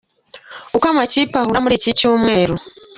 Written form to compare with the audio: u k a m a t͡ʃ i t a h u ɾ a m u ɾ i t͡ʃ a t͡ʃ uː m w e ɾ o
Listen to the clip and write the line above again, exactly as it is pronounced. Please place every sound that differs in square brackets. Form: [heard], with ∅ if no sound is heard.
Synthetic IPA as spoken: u k a m a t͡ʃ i [p] a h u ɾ a m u ɾ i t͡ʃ [i] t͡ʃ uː m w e ɾ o